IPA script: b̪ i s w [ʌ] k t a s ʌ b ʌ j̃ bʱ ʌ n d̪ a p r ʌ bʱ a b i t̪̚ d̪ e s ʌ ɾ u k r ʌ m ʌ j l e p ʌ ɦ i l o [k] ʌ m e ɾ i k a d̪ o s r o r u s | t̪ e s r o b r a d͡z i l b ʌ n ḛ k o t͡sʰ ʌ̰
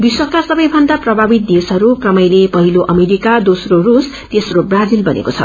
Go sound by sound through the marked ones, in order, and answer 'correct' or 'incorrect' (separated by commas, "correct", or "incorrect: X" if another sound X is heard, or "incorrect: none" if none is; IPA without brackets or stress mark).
correct, incorrect: ʔ